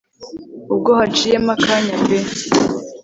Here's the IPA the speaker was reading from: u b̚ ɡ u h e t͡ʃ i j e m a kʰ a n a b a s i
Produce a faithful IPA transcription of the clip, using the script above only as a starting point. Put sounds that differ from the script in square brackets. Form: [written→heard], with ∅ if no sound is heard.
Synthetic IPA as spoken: u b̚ ɡ [u→o] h [e→a] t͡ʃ i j e m a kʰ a [n→ɲ] a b [a→e] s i